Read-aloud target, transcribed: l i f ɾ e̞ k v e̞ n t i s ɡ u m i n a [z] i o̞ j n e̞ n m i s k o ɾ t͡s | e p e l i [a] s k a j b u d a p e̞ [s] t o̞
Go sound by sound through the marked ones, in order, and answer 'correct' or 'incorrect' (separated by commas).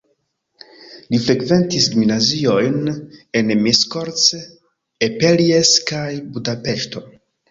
correct, incorrect, incorrect